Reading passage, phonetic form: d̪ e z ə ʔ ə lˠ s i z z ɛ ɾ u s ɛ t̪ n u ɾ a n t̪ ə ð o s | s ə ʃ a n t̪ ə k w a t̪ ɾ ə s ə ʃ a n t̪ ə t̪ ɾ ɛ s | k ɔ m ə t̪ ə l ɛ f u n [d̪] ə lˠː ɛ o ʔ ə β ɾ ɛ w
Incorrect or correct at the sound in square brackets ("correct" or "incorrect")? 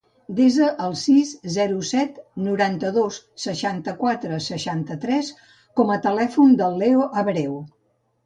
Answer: correct